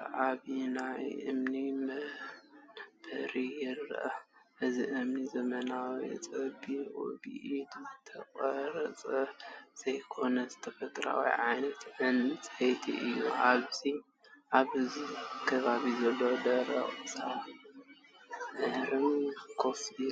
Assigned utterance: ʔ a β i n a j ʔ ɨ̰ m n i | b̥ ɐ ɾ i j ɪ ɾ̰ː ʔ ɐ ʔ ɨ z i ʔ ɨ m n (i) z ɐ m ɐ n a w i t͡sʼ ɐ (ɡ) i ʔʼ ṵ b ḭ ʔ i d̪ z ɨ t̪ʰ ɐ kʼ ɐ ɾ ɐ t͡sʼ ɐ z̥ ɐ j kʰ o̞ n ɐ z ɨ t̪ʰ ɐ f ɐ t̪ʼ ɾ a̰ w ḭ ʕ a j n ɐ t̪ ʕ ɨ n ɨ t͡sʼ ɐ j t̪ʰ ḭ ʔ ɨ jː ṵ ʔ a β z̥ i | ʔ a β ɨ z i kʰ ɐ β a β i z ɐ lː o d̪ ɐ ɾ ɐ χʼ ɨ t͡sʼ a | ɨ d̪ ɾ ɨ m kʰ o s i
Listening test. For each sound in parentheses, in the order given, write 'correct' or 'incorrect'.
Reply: correct, incorrect: b

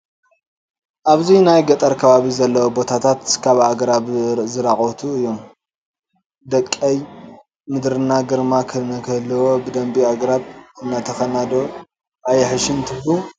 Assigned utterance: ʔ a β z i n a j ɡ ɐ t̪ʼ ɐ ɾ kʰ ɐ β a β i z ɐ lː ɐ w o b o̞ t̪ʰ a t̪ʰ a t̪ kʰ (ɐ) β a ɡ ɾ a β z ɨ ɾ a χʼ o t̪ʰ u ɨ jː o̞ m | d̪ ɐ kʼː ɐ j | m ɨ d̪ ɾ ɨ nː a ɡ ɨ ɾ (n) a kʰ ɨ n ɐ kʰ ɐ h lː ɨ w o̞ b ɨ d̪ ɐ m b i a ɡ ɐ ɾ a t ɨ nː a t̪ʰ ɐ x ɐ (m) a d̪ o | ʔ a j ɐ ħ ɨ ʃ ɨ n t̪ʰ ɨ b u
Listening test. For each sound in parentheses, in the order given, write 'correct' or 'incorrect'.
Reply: incorrect: a, incorrect: m, incorrect: n

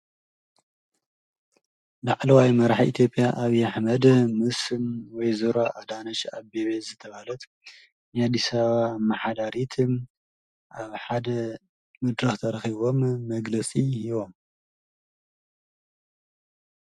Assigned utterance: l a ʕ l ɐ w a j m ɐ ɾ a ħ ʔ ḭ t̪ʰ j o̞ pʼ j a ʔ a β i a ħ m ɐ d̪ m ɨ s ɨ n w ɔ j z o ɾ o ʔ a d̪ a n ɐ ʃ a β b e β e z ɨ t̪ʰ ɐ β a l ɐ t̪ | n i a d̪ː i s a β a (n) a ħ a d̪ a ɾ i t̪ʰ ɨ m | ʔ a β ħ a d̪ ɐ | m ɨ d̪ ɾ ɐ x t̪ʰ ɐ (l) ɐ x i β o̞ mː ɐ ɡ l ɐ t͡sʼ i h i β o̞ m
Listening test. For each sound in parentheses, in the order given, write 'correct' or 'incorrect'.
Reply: incorrect: m, incorrect: ɾ

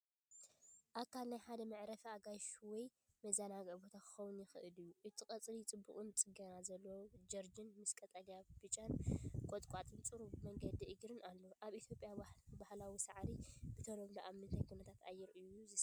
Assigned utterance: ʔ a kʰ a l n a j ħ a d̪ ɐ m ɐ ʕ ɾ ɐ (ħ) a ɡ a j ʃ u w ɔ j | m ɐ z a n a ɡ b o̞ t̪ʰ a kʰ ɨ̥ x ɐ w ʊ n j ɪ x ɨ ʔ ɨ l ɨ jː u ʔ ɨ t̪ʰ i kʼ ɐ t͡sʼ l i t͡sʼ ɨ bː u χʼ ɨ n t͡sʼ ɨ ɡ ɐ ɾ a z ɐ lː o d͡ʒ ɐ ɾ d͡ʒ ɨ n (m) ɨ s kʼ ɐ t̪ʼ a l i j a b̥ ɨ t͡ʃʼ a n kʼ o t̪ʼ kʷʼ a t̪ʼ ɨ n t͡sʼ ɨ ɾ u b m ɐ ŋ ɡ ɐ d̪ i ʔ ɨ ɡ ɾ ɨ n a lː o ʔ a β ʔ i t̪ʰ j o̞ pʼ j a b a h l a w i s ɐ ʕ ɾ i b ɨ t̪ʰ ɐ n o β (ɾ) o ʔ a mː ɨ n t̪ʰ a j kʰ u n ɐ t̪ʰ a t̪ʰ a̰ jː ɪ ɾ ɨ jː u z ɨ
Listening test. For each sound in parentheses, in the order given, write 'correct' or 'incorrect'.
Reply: incorrect: f, correct, incorrect: l

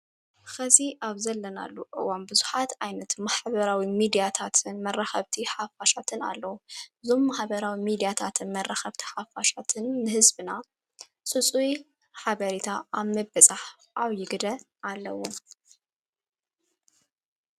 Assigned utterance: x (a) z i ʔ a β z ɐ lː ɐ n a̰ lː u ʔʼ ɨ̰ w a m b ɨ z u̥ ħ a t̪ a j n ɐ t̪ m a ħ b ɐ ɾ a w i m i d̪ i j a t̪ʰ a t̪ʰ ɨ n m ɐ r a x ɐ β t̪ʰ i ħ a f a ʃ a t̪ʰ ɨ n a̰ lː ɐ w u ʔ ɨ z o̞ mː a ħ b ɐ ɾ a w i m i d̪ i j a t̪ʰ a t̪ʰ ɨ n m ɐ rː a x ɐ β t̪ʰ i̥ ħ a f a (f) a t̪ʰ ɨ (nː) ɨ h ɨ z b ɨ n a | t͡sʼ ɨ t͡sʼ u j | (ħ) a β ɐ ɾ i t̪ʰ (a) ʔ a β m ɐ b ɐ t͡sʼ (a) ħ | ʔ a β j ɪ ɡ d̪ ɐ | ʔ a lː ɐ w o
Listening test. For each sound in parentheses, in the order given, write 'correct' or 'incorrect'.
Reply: incorrect: ɐ, incorrect: ʃ, correct, correct, correct, correct

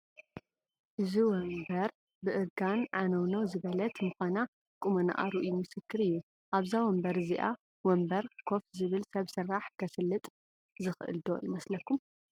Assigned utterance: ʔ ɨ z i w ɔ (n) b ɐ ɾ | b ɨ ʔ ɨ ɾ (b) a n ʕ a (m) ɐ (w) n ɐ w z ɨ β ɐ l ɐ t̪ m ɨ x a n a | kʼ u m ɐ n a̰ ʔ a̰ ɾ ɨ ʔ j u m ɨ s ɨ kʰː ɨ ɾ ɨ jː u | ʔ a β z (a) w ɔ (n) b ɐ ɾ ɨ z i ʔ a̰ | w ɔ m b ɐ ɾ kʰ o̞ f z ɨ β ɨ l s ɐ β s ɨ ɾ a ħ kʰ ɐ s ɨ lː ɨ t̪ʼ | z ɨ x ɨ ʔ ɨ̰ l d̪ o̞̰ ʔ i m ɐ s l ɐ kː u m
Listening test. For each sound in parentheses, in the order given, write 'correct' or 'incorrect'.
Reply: incorrect: m, incorrect: ɡ, incorrect: n, correct, correct, incorrect: m

